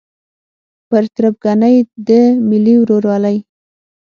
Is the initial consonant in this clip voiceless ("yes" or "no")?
yes